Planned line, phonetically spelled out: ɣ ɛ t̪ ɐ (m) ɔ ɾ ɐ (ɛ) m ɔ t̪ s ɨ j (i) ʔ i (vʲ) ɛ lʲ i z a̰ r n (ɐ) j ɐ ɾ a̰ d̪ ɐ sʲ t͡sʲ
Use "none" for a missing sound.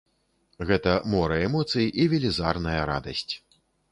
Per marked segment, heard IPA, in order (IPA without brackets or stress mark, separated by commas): m, ɛ, i, vʲ, ɐ